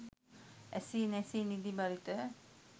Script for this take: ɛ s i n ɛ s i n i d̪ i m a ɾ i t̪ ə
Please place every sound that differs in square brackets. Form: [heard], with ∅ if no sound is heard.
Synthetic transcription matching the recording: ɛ s i n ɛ s i n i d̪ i [b] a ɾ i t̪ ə

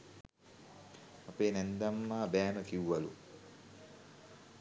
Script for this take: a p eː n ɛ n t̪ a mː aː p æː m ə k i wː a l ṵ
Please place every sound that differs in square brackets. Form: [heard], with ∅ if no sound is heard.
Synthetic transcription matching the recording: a p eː n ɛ n [d̪] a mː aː [b] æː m ə k i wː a l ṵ

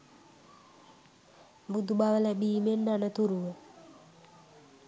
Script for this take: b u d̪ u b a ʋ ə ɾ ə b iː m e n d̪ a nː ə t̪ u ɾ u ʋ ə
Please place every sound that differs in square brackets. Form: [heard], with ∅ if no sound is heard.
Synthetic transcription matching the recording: b u d̪ u b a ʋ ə [l] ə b iː m e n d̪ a [n] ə t̪ u ɾ u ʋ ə

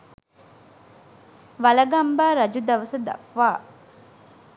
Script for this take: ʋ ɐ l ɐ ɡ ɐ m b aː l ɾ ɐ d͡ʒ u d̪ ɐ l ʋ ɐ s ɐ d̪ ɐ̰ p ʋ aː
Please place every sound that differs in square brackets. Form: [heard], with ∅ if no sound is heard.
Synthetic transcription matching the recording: ʋ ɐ l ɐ ɡ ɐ m b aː [∅] ɾ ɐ d͡ʒ u d̪ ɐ [∅] ʋ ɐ s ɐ d̪ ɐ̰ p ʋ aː

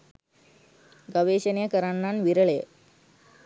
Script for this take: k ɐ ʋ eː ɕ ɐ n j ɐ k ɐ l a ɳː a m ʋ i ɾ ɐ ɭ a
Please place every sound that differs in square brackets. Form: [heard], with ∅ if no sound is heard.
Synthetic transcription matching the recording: [ɡ] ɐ ʋ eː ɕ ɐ n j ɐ k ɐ [ɾ] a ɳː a [n] ʋ i ɾ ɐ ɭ [e]

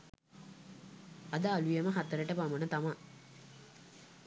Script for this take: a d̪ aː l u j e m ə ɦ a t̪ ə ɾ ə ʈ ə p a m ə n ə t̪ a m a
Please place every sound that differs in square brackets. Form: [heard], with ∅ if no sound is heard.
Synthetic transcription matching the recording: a d̪ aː l u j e m ə ɦ a t̪ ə ɾ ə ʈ ə p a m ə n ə t̪ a m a

